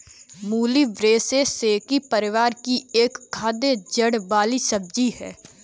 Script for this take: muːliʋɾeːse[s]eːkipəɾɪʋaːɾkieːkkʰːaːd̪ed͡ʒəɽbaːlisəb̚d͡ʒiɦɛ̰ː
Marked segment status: correct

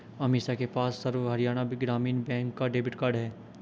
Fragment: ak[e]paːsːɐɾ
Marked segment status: correct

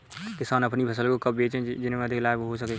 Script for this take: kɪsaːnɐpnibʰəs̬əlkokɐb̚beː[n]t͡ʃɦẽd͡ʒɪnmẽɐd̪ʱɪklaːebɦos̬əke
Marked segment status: incorrect: none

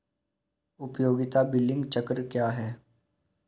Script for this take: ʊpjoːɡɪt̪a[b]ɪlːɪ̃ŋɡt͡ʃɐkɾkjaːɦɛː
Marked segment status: correct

